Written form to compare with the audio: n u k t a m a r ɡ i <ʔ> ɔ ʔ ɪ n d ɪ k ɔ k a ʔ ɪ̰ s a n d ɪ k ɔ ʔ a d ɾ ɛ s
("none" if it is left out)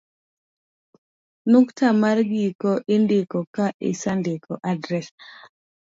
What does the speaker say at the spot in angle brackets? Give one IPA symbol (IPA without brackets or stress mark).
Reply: k